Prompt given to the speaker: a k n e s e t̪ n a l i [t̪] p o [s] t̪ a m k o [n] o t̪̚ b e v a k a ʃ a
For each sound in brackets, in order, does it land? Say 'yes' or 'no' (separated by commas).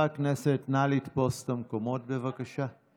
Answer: yes, yes, no